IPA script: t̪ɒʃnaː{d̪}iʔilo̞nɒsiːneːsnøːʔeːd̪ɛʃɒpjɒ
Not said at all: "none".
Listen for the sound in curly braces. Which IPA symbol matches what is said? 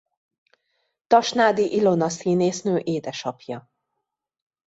d̪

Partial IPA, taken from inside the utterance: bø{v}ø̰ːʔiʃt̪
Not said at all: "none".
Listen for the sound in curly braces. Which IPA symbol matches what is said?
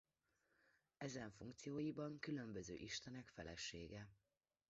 z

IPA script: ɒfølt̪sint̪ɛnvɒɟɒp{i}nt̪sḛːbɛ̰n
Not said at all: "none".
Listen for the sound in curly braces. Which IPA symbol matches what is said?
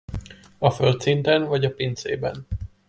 i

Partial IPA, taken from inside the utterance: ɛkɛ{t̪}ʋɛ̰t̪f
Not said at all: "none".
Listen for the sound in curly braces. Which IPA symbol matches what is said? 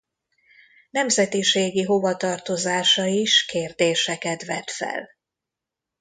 t̪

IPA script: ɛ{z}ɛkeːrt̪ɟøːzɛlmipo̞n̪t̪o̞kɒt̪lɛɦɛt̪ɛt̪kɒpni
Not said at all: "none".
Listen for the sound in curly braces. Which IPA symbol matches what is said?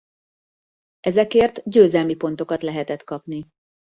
z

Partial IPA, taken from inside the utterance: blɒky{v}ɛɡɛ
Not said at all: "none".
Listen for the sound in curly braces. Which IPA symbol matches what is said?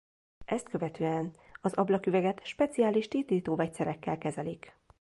v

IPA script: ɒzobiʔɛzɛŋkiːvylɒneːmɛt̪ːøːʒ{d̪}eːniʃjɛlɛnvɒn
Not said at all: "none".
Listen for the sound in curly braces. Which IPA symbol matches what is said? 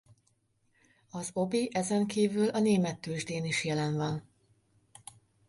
d̪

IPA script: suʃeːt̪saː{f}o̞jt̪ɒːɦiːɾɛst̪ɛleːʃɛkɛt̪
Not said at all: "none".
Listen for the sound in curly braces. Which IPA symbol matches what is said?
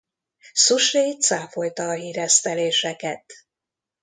f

